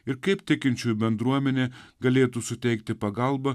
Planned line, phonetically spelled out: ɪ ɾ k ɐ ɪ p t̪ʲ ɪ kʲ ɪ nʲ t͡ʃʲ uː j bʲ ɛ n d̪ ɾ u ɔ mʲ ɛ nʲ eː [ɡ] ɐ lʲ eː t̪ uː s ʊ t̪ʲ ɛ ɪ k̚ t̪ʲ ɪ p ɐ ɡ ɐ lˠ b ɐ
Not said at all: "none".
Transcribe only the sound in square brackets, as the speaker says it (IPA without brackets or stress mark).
ɡ